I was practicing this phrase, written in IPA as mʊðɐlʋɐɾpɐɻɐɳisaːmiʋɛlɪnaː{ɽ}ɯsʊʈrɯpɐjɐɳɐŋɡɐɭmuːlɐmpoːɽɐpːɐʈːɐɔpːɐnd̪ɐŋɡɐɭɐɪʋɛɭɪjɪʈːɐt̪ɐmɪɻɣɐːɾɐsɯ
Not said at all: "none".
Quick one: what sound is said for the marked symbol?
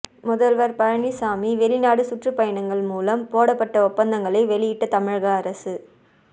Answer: ɽ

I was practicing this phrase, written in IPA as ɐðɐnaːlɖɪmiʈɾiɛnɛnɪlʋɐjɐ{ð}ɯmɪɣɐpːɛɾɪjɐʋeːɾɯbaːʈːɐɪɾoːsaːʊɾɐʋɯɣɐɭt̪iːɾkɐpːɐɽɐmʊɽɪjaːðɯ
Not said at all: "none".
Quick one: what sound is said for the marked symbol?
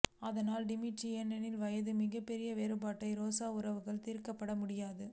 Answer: ð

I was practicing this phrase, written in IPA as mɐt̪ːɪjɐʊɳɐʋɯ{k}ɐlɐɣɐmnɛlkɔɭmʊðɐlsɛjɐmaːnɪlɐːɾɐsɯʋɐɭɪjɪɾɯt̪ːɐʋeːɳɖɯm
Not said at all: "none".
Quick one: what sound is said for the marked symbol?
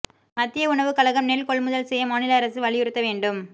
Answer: k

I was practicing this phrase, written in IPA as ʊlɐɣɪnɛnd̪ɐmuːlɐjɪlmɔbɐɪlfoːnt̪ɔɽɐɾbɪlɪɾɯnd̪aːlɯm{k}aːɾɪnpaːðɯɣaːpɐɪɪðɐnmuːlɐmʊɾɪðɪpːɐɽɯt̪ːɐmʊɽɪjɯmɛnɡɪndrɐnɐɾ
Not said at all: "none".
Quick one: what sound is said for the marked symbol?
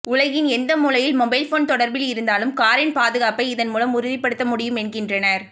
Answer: k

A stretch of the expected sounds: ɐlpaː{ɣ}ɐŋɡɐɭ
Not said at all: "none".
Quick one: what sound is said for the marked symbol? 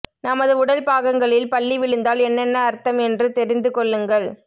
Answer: ɣ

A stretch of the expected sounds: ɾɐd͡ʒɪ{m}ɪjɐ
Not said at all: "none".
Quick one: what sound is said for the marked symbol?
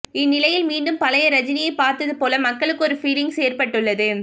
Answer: n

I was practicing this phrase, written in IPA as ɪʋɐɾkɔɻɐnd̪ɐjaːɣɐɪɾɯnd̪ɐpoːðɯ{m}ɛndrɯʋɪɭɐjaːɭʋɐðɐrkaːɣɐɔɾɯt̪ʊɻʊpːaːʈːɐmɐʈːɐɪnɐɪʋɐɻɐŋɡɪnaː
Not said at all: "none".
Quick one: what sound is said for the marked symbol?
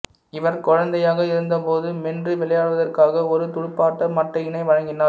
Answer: m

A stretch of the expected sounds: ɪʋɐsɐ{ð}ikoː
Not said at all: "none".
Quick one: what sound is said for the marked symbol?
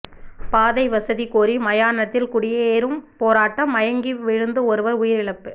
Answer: ð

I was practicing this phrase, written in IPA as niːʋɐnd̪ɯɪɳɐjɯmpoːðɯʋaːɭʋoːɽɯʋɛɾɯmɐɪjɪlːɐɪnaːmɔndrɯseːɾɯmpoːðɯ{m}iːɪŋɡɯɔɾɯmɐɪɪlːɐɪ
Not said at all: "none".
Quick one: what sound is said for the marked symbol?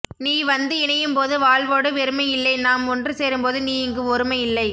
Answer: n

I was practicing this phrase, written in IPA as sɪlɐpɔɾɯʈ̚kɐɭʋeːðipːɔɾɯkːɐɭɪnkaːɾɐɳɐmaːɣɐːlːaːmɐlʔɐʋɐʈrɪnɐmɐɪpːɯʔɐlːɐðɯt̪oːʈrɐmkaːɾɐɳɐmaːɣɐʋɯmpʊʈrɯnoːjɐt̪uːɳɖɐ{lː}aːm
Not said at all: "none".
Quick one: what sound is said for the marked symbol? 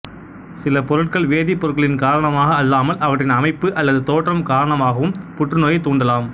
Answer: l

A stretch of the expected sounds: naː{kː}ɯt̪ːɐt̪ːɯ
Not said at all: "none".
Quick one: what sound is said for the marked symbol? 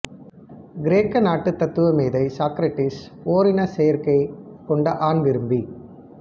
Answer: ʈː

